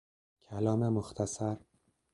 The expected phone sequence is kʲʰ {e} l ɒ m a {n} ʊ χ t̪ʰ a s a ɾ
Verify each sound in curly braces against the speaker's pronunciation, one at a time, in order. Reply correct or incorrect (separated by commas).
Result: incorrect, incorrect